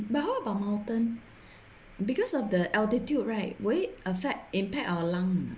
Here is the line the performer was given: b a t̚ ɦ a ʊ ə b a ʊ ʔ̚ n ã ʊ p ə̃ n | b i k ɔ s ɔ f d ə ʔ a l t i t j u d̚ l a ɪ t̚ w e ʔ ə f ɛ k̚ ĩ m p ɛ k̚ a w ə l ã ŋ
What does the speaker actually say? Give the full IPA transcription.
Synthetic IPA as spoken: b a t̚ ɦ a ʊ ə b a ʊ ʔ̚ m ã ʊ t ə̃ n | b i k ɔ s ɔ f d ə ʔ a l t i t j u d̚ ɹ a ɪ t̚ w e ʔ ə f ɛ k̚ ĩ m p ɛ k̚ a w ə l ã ŋ